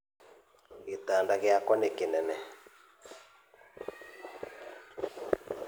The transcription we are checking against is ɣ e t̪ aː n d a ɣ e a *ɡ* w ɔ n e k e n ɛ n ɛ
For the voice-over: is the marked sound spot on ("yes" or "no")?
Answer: no